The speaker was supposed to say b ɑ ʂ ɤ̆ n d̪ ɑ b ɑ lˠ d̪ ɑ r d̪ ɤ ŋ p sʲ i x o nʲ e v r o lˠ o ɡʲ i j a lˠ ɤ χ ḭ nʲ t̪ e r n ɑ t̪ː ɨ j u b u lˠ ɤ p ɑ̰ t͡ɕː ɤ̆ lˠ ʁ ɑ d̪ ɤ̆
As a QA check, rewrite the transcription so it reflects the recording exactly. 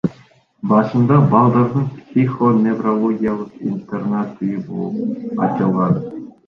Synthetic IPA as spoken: b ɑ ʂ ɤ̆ n d̪ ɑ b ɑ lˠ d̪ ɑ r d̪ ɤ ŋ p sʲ i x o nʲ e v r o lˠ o ɡʲ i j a lˠ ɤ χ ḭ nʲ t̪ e r n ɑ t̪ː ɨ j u b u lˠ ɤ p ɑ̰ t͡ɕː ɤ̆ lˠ ʁ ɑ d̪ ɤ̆